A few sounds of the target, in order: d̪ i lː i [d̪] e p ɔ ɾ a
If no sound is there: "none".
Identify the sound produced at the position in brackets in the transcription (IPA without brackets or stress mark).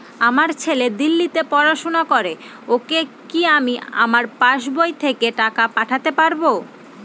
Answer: t̪